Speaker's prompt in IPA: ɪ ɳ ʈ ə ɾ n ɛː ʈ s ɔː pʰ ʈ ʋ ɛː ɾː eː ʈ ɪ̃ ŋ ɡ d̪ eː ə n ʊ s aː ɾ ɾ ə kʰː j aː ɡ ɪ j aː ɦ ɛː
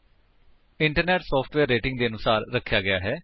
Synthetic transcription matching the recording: ɪ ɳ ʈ ə ɾ n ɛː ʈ s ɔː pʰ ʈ ʋ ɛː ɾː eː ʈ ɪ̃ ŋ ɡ d̪ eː ə n ʊ s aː ɾ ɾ ə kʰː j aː ɡ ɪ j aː ɦ ɛː